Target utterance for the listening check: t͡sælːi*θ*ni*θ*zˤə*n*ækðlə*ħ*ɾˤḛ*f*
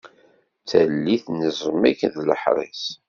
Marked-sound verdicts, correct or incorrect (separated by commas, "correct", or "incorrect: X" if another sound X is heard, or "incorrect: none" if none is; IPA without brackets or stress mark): correct, incorrect: none, incorrect: m, correct, incorrect: s